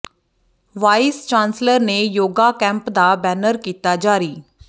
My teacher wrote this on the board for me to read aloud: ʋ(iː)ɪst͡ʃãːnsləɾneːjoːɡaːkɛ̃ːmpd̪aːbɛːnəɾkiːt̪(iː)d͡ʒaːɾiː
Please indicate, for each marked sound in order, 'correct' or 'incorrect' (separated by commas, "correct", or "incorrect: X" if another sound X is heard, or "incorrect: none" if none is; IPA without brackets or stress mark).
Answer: incorrect: aː, incorrect: aː